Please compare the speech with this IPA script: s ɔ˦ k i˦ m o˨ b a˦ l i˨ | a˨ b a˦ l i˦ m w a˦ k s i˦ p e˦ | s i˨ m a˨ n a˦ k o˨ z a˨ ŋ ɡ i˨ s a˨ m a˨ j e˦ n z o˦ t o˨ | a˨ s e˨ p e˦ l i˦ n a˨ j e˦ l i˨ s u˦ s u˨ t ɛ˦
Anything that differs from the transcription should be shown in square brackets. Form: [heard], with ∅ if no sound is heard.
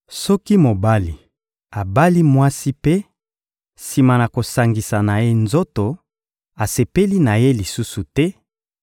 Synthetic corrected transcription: s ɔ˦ k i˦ m o˨ b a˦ l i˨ | a˨ b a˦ l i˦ m w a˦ [∅] s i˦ p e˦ | s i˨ m a˨ n [a˨] k o˨ [s] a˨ ŋ ɡ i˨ s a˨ [n] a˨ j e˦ n z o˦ t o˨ | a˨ s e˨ p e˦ l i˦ n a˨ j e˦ l i˨ s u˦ s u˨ t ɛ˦